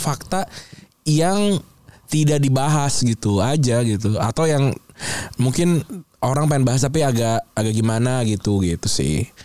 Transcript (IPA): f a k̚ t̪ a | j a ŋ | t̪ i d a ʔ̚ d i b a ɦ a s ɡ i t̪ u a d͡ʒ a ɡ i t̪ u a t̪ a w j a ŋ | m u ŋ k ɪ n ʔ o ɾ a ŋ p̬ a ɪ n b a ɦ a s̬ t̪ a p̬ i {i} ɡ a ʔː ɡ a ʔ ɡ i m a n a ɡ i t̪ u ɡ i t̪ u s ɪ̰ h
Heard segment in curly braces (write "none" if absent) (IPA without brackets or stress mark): a